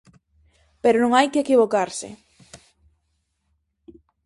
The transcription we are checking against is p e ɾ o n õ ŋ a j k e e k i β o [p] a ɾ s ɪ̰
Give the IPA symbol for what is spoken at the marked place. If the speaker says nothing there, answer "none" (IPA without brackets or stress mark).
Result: k